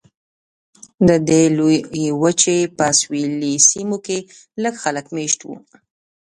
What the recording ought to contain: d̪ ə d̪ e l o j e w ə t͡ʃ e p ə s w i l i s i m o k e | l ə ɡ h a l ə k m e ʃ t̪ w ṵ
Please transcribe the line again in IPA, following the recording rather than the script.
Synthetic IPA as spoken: d̪ ə d̪ e l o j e w ə t͡ʃ e p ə s w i l i s i m o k e | l ə ɡ x a l ə k m e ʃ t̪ w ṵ

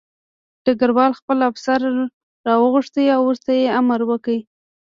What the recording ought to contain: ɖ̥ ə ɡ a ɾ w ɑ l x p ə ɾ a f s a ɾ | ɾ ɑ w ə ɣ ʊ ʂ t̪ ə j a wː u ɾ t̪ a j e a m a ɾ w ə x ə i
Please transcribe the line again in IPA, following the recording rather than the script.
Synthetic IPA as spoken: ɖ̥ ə ɡ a ɾ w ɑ l x p ə l a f s a ɾ | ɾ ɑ w ə ɣ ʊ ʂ t̪ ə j a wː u ɾ t̪ a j e a m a ɾ w ə k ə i

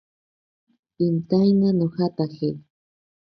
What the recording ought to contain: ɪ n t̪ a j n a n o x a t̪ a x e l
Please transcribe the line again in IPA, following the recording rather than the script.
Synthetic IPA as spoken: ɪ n t̪ a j n a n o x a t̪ a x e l

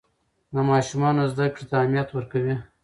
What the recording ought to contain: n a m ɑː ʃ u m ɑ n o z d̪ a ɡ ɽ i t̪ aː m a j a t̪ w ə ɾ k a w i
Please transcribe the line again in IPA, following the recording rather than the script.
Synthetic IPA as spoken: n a m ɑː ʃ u m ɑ n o z d̪ a k ɽ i t̪ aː m i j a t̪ w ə ɾ k a w i

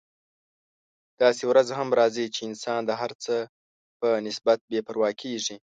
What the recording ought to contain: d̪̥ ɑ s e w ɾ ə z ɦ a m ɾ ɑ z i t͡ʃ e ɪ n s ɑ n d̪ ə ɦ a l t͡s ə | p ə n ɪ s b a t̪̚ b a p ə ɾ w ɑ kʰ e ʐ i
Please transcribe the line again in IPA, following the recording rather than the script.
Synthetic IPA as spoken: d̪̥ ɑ s e w ɾ a z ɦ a m ɾ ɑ z i t͡ʃ e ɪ n s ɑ n d̪ ə ɦ a ɾ t͡s ə | p ə n ɪ s b a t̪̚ b e p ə ɾ w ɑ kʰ e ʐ i

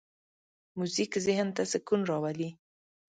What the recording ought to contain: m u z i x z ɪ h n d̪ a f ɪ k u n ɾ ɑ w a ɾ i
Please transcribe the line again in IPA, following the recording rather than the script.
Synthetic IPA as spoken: m u z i k z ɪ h n t̪ a s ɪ k u n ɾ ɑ w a l i

